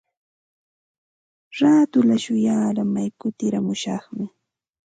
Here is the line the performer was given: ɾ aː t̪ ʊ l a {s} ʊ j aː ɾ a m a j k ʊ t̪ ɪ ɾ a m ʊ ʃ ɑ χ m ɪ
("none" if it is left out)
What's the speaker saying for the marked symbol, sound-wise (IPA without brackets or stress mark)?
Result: ʃ